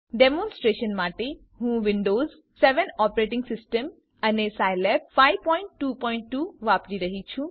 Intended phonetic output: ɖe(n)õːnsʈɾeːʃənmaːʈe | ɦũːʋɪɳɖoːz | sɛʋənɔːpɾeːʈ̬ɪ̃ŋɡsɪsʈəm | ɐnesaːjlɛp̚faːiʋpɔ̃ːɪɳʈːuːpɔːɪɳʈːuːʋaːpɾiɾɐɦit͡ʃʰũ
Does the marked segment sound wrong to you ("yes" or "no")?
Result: yes